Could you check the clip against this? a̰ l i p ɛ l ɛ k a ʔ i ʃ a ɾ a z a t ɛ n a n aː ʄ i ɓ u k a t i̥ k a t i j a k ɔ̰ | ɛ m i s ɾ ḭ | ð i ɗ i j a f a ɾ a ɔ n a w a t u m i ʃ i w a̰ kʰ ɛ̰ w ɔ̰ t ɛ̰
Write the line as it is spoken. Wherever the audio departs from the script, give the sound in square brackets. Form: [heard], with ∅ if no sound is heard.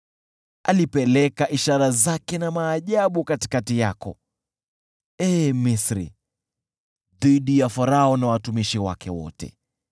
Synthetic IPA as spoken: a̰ l i p ɛ l ɛ k a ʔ i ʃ a ɾ a z a [k] ɛ n a [m] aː ʄ [a] ɓ u k a t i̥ k a t i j a k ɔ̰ | ɛ m i s ɾ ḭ | ð i ɗ i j a f a ɾ a ɔ n a w a t u m i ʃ i w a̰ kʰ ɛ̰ w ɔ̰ t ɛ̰

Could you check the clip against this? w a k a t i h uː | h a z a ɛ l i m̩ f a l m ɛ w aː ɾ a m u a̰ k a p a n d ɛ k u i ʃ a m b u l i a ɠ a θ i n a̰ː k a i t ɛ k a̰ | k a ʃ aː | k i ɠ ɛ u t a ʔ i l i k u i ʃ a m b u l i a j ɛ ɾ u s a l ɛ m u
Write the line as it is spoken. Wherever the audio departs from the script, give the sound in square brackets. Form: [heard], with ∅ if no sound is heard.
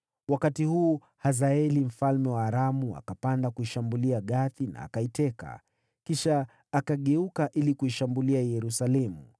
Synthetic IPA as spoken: w a k a t i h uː | h a z a ɛ l i m̩ f a l m ɛ w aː ɾ a m u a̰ k a p a n d [a] k u i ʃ a m b u l i a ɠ a θ i n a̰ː k a i t ɛ k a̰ | k [i] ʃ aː | k [a] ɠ ɛ u [k] a ʔ i l i k u i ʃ a m b u l i a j ɛ ɾ u s a l ɛ m u

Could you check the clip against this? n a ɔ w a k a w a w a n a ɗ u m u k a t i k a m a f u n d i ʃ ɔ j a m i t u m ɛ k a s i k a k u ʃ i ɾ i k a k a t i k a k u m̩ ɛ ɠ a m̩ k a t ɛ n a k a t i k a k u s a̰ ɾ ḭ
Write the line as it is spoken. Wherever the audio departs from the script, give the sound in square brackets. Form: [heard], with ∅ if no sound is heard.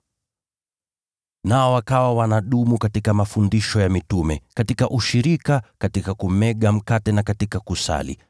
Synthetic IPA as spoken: n a ɔ w a k a w a w a n a ɗ u m u k a t i k a m a f u n d i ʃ ɔ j a m i t u m ɛ k a [t] i k a [ʔ] u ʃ i ɾ i k a k a t i k a k u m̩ ɛ ɠ a m̩ k a t ɛ n a k a t i k a k u s a̰ [l] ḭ

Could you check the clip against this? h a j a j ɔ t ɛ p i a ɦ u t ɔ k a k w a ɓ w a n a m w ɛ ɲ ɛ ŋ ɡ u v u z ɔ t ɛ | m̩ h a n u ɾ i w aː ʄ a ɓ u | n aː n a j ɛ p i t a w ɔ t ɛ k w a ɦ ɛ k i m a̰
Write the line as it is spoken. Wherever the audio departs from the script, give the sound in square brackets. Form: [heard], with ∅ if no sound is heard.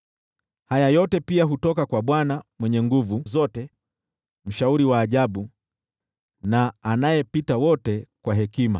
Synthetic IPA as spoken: h a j a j ɔ t ɛ p i a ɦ u t ɔ k a k w a ɓ w a n a m w ɛ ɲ ɛ ŋ ɡ u v u z ɔ t ɛ | m̩ [ʃ] a [∅] u ɾ i w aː ʄ a ɓ u | n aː n a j ɛ p i t a w ɔ t ɛ k w a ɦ ɛ k i m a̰

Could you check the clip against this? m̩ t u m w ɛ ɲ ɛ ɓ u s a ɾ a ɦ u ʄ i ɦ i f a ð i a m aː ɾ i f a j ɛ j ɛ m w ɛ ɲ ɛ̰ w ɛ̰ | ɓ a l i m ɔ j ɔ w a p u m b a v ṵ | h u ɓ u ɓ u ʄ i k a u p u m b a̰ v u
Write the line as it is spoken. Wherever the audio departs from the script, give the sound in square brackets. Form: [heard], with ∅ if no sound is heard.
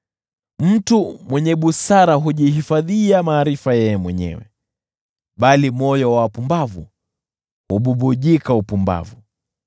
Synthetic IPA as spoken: m̩ t u m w ɛ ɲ ɛ ɓ u s a ɾ a ɦ u ʄ i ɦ i f a ð i a m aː ɾ i f a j ɛ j ɛ m w ɛ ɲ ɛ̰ w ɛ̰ | ɓ a l i m ɔ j ɔ w a p u m b a v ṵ | h u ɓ u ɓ u ʄ i k a u p u m b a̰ v u

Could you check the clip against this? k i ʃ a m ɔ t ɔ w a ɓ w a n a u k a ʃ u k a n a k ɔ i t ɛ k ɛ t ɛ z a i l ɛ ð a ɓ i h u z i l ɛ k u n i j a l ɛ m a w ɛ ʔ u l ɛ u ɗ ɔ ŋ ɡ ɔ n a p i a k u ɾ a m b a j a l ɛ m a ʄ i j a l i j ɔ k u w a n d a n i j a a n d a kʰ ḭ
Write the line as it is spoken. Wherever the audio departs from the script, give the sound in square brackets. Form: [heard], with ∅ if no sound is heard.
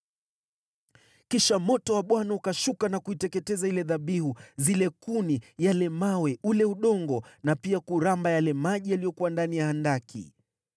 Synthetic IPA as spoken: k i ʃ a m ɔ t ɔ w a ɓ w a n a u k a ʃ u k a n a k [u] i t ɛ k ɛ t ɛ z a i l ɛ ð a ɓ i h u z i l ɛ k u n i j a l ɛ m a w ɛ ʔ u l ɛ u ɗ ɔ ŋ ɡ ɔ n a p i a k u ɾ a m b a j a l ɛ m a ʄ i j a l i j ɔ k u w a n d a n i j a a n d a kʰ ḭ

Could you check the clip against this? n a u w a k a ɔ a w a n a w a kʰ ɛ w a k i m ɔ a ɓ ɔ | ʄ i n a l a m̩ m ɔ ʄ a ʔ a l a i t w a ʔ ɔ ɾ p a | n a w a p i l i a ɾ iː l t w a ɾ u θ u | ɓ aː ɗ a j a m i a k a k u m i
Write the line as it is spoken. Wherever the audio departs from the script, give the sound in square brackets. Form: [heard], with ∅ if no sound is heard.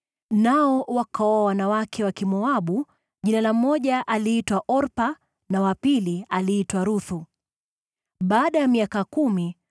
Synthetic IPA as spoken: n a [ɔ] w a k a ɔ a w a n a w a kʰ ɛ w a k i m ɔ a ɓ [u] | ʄ i n a l a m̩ m ɔ ʄ a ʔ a l [i] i t w a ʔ ɔ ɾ p a | n a w a p i l i a [l] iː [∅] t w a ɾ u θ u | ɓ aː ɗ a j a m i a k a k u m i

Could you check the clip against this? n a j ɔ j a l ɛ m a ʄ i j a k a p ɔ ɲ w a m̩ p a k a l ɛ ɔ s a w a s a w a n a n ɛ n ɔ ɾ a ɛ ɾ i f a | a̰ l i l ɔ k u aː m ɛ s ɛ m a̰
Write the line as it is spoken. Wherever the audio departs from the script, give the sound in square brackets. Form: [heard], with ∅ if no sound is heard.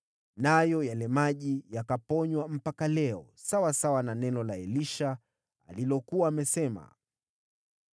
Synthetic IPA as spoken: n a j ɔ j a l ɛ m a ʄ i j a k a p ɔ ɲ w a m̩ p a k a l ɛ ɔ s a w a s a w a n a n ɛ n ɔ [l] a ɛ [l] i [ʃ] a | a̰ l i l ɔ k u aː m ɛ s ɛ m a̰

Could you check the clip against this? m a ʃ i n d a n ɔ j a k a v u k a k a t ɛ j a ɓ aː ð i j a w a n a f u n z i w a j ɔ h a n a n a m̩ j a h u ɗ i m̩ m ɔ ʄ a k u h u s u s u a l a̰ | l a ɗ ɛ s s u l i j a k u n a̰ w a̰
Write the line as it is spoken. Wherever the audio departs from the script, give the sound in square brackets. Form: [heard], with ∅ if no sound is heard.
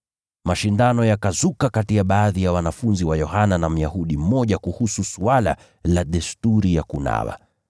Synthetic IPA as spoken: m a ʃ i n d a n ɔ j a k a [z] u k a k a t [i] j a ɓ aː ð i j a w a n a f u n z i w a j ɔ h a n a n a m̩ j a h u ɗ i m̩ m ɔ ʄ a k u h u s u s u a l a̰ | l a ɗ ɛ s [t] u [ɾ] i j a k u n a̰ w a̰

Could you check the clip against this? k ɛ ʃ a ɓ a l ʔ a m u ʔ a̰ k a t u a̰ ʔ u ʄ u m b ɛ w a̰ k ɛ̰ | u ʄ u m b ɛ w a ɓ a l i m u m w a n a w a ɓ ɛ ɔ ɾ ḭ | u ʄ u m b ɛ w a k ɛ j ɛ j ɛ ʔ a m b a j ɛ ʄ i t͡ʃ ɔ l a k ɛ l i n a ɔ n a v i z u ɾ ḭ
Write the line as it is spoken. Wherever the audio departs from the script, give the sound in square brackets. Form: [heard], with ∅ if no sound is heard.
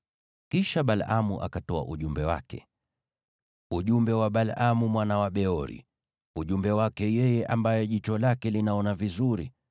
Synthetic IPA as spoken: k [i] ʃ a ɓ a l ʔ a m u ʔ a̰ k a t [ɔ] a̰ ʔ u ʄ u m b ɛ w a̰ k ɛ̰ | u ʄ u m b ɛ w a ɓ a l [a] m u m w a n a w a ɓ ɛ ɔ ɾ ḭ | u ʄ u m b ɛ w a k ɛ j ɛ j ɛ ʔ a m b a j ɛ ʄ i t͡ʃ ɔ l a k ɛ l i n a ɔ n a v i z u ɾ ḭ

